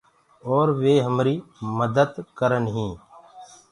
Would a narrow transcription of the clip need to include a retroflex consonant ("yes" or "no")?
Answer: no